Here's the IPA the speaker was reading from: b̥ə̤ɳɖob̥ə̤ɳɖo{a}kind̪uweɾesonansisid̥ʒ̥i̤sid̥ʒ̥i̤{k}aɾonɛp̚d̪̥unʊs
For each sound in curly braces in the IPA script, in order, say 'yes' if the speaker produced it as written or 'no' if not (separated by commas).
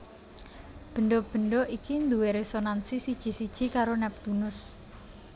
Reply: no, yes